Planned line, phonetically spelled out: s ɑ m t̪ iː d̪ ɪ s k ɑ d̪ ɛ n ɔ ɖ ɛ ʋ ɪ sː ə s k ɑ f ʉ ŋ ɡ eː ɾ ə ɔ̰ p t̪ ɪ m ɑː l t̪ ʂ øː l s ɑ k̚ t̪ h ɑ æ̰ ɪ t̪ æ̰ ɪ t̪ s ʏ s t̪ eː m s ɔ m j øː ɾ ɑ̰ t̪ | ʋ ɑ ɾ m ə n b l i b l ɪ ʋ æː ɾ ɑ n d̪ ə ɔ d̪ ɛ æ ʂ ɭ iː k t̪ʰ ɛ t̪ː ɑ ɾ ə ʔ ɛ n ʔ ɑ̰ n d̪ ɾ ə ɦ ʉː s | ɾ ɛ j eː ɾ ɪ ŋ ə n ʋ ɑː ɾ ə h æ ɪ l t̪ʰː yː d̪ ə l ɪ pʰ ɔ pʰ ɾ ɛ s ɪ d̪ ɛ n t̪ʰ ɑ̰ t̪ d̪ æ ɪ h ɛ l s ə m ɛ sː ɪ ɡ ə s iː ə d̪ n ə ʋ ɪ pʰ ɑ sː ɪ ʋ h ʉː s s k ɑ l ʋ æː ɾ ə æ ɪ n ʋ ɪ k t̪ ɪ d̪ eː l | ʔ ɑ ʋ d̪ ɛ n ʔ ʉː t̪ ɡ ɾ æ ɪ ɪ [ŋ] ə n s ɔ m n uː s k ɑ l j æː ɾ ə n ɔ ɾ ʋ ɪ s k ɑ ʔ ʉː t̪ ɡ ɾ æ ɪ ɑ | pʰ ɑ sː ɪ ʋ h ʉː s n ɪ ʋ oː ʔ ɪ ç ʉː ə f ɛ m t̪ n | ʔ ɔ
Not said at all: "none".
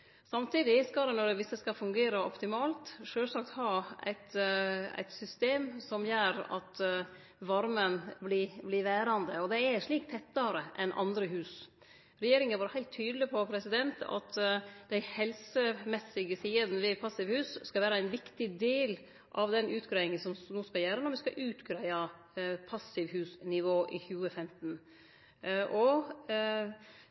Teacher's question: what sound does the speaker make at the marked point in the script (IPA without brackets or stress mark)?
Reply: ŋ